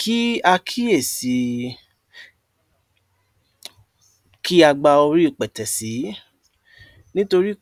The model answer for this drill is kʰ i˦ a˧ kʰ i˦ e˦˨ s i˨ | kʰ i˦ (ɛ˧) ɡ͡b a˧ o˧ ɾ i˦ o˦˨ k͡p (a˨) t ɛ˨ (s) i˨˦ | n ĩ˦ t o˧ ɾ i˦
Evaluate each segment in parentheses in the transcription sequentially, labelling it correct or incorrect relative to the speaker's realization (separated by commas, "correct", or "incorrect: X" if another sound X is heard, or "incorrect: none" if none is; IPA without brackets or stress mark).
incorrect: a˧, incorrect: ɛ˨, correct